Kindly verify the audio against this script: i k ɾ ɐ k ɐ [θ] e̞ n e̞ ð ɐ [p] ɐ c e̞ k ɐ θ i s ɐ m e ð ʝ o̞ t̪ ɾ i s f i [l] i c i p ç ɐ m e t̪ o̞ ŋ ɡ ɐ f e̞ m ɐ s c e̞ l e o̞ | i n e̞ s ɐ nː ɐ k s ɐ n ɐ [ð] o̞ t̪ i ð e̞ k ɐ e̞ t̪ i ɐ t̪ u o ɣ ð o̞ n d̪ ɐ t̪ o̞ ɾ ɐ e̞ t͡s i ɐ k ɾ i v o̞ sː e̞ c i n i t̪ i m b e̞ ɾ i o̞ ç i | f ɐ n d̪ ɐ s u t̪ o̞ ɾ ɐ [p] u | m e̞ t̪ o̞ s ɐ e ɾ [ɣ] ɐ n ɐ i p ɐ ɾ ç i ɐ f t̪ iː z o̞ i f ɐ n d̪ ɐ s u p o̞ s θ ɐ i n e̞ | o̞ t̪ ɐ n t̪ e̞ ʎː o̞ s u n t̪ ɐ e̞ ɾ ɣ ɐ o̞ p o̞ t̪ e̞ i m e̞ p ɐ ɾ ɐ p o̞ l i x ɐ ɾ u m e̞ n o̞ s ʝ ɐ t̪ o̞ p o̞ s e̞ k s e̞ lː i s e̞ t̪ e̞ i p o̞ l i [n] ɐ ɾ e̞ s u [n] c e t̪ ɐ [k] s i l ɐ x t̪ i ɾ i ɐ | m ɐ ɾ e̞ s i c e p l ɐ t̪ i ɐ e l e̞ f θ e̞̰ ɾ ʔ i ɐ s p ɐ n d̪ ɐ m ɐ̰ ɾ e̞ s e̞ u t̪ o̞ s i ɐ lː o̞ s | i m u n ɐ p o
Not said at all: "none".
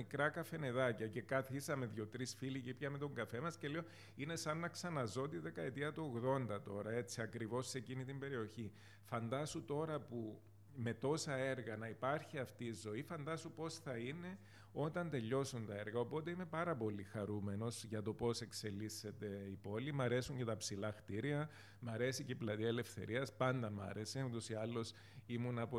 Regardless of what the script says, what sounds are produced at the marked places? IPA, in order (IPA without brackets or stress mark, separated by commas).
f, c, l, z, p, ɣ, m, ɲ, p